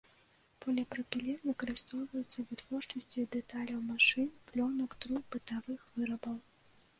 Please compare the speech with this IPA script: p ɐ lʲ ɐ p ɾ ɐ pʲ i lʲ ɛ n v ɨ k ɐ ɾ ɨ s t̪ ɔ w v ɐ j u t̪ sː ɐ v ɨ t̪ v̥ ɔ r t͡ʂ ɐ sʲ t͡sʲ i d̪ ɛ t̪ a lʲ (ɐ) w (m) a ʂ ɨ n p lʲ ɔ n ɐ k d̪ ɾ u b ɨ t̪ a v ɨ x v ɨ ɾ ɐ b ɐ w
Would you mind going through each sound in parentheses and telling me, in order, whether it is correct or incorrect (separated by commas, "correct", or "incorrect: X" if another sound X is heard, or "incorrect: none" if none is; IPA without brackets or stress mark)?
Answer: correct, correct